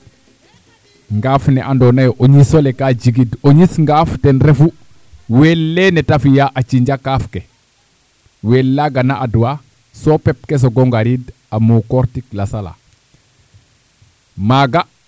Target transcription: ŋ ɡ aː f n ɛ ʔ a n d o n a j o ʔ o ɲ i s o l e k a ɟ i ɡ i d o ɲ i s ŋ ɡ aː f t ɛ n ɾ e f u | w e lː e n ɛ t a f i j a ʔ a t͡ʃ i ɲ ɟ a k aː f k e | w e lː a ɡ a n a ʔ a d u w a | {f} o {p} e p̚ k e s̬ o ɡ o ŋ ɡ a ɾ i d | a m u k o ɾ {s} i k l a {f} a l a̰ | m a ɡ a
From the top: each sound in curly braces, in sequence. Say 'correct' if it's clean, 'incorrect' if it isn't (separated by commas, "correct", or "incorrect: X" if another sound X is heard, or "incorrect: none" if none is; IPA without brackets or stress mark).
incorrect: s, correct, incorrect: t, incorrect: s